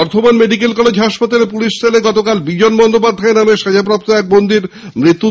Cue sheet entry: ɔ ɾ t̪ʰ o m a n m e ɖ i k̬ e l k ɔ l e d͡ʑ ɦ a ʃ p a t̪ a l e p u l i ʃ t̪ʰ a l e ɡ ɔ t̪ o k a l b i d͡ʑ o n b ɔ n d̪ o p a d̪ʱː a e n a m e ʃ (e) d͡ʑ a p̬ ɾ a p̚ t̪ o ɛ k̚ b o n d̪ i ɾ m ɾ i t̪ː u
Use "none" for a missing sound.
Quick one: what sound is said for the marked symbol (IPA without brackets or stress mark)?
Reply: a